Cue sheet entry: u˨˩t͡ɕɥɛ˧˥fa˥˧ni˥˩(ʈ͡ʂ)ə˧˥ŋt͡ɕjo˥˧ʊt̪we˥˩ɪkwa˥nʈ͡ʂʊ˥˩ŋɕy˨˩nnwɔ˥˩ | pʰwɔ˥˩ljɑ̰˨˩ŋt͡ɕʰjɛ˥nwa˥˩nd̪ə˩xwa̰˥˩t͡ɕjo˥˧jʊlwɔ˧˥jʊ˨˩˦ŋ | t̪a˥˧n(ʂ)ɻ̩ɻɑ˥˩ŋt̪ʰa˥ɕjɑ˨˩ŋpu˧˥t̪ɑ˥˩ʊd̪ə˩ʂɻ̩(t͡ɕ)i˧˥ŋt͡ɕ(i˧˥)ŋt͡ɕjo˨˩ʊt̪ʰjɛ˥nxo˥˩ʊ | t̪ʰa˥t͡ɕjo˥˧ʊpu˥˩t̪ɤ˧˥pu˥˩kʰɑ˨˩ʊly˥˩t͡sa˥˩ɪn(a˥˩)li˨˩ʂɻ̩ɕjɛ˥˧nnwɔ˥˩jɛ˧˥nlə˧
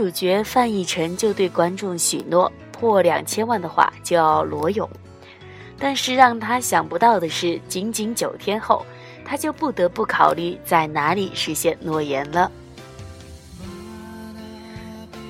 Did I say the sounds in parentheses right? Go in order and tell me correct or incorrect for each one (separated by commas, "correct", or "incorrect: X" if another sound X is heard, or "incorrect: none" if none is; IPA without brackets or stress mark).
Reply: incorrect: ʈ͡ʂʰ, correct, correct, correct, incorrect: a˧˥